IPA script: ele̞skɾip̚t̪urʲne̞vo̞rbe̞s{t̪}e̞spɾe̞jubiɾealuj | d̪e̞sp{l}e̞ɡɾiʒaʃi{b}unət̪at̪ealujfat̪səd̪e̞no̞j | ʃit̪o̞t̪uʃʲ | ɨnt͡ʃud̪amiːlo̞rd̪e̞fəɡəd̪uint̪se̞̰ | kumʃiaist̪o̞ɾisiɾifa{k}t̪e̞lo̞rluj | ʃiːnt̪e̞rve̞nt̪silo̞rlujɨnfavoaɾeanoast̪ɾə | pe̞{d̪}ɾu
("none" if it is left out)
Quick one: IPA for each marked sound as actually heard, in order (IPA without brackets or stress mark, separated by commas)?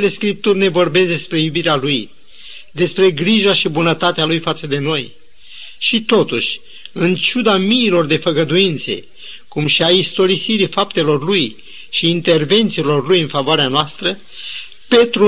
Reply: d̪, ɾ, b, p, t̪